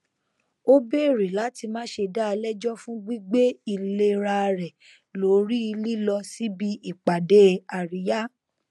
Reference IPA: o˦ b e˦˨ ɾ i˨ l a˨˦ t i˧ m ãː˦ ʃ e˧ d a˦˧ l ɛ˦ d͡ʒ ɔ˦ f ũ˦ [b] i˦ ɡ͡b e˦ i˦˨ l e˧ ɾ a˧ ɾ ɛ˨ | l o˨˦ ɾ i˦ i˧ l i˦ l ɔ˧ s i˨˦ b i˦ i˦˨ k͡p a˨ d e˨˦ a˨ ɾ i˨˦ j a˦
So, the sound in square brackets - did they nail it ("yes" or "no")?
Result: no